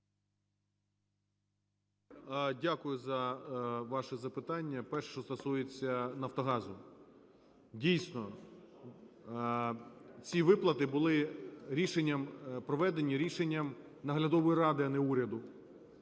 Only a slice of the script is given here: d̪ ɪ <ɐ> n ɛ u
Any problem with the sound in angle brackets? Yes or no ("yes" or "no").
no